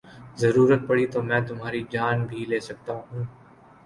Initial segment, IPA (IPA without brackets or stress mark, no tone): z